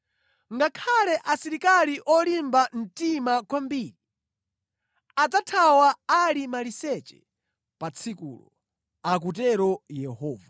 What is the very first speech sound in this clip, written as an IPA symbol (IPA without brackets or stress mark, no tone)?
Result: ŋ